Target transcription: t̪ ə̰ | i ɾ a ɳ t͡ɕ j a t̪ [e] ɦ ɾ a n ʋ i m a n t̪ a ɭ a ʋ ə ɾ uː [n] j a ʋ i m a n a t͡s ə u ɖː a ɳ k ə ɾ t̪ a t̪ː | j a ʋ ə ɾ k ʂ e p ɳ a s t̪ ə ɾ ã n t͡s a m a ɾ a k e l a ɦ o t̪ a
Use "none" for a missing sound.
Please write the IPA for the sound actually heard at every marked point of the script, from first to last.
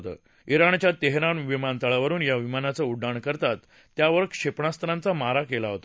e, n

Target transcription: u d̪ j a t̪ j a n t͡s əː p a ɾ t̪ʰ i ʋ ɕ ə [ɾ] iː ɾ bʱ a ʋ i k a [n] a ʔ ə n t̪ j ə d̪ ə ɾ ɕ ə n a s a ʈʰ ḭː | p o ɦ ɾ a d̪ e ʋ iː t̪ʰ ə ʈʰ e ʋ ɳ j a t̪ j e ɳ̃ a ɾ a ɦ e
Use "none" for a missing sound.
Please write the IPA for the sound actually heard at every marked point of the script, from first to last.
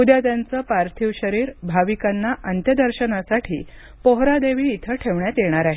ɾ, nː

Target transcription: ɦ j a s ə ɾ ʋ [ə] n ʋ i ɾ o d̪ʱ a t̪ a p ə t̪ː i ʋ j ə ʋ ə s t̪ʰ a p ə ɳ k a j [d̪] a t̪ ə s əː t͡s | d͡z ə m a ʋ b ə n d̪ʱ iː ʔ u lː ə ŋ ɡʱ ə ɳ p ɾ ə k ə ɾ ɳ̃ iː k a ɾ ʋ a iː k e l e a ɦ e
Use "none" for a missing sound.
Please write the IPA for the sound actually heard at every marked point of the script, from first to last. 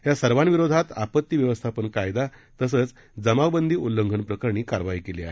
a, d̪

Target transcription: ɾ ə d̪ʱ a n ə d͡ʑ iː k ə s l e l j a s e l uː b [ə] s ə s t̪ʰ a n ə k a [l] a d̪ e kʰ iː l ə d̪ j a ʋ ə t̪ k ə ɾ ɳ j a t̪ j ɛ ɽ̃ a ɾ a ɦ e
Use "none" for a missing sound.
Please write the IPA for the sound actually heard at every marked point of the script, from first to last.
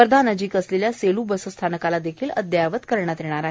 ə, l

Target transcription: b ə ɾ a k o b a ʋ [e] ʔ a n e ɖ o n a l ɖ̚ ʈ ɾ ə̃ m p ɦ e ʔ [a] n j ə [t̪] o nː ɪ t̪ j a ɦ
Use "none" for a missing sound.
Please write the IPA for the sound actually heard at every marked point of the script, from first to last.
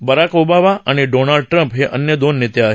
a, ə, d̪

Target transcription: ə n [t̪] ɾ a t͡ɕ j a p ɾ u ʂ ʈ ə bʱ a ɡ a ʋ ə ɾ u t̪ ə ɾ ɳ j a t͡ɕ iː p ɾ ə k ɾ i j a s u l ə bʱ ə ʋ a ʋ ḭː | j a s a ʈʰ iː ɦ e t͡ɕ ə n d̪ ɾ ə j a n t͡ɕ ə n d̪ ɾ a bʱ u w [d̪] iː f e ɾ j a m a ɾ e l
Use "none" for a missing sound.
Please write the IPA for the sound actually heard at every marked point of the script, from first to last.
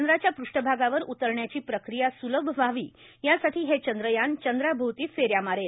d̪, t̪

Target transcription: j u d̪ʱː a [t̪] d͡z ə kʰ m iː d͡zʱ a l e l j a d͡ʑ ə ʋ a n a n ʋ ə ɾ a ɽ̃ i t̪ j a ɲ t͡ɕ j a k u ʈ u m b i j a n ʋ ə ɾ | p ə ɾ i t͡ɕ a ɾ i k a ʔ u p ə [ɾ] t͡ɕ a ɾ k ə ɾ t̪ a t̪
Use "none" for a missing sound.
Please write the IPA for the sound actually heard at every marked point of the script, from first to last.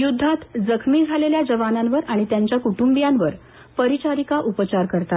t̪, none

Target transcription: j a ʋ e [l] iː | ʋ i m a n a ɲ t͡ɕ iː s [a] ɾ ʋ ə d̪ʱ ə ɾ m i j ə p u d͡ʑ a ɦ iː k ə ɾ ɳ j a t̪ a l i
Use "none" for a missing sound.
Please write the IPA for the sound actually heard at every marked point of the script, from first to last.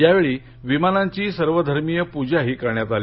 ɭ, ə

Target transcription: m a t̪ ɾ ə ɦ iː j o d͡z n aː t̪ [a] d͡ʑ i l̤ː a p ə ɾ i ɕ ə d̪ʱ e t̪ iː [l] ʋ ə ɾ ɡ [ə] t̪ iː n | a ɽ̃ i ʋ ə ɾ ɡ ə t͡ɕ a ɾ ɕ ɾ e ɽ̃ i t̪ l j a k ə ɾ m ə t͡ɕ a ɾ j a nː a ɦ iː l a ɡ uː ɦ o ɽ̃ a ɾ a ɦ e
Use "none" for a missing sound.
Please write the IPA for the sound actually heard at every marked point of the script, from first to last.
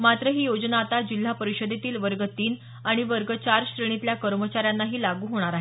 a, l, ə

